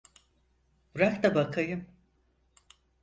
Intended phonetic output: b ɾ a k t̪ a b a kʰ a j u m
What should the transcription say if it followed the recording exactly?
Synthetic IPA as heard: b ɾ a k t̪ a b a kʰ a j ɯ m